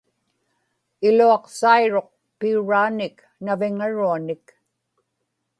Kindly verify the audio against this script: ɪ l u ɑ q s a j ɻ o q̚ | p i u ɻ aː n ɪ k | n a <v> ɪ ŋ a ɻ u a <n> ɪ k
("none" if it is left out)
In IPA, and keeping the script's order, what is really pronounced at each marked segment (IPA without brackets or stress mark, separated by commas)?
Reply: v, n